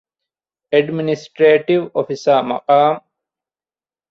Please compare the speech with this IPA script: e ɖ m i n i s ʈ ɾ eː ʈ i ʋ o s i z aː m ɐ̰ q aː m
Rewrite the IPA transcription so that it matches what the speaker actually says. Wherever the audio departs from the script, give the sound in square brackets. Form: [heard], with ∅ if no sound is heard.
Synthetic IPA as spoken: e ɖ m i n i s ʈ ɾ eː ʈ i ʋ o [f] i [s] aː m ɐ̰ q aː m